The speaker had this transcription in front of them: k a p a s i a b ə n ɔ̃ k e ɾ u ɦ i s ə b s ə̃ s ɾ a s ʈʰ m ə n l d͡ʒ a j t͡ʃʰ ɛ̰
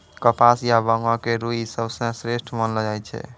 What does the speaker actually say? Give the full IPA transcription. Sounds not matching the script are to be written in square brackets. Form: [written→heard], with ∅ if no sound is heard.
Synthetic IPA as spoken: k [a→ə] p a s [i→j] a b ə [n→ŋ] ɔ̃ k e ɾ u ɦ i s ə b s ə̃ s ɾ [a→e] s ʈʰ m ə n l d͡ʒ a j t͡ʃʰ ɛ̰